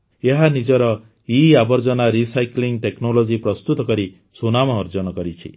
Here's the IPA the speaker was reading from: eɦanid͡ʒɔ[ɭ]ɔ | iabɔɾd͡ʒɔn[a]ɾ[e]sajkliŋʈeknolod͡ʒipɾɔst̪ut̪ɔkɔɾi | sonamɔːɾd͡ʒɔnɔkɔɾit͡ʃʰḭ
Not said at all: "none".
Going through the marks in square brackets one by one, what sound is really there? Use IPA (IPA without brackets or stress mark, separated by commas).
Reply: ɾ, a, i